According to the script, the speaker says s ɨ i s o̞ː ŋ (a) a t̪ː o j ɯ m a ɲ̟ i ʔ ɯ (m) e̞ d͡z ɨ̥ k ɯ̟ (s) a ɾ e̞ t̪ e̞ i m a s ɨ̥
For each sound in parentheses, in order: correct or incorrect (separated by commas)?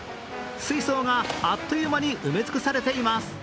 correct, correct, correct